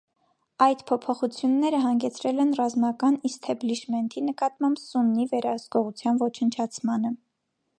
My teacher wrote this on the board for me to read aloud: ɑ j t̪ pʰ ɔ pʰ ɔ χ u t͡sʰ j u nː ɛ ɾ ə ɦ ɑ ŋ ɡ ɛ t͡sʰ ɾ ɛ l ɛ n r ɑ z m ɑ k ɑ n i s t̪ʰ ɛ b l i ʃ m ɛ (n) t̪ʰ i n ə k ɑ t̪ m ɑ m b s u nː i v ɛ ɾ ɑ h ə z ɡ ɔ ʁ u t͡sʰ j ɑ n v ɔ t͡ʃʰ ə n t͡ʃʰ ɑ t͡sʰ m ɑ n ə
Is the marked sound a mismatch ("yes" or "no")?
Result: no